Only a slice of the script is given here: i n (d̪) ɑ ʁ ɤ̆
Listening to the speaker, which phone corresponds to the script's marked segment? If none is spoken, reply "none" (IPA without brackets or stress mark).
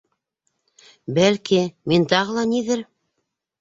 t̪